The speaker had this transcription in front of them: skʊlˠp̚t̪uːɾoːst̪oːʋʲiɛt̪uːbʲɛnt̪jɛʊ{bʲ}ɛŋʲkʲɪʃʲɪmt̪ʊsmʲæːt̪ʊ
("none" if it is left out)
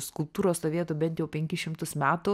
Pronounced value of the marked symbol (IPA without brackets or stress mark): pʲ